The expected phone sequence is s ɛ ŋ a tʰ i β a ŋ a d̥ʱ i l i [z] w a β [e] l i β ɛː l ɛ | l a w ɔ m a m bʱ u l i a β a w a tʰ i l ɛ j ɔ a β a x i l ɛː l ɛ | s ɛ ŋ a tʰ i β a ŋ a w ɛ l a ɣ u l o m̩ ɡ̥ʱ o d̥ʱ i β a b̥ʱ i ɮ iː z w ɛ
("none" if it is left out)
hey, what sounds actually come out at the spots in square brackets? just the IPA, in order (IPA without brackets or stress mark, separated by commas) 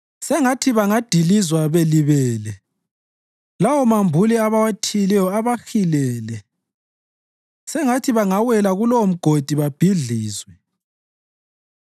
z, e